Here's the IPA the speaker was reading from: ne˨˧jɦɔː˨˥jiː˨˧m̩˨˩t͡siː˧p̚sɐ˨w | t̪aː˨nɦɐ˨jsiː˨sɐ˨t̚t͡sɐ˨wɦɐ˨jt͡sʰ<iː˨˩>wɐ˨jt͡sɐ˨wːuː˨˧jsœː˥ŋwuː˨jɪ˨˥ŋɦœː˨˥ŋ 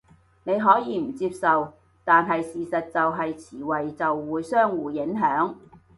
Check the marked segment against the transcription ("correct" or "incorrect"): correct